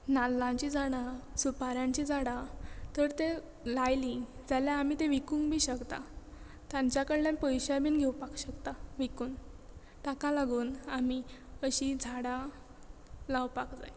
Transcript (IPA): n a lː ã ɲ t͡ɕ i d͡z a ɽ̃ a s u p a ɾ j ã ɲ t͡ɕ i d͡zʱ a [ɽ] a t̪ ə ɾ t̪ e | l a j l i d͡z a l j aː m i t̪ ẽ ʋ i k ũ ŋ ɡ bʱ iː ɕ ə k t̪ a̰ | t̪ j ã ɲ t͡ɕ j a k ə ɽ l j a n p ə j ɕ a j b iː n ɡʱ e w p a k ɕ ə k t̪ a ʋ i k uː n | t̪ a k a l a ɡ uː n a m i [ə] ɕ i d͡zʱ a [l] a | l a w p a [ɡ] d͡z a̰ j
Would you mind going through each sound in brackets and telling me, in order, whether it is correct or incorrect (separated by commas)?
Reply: correct, correct, incorrect, incorrect